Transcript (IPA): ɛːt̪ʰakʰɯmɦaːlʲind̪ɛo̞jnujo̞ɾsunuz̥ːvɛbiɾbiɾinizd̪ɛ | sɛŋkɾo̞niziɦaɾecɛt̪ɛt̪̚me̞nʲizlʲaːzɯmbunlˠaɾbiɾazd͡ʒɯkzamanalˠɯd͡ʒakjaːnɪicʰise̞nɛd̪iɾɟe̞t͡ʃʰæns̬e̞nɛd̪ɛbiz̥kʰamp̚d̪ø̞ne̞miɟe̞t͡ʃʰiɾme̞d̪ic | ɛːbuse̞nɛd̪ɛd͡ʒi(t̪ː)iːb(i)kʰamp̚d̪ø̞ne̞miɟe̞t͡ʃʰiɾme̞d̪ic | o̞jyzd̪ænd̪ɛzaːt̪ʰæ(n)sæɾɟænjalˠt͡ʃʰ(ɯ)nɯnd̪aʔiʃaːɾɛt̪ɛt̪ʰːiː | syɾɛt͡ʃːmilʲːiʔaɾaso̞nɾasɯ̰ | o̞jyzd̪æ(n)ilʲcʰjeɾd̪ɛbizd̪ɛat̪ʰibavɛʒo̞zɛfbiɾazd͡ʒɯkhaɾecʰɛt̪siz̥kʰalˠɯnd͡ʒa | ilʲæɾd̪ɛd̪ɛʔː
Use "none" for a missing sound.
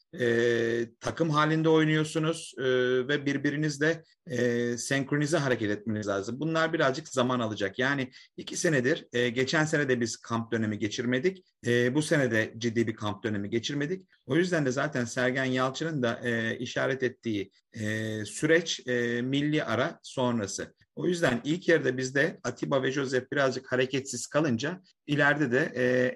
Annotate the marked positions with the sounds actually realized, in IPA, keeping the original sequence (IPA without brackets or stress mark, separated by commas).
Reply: d̪ː, i, n, ɯ, n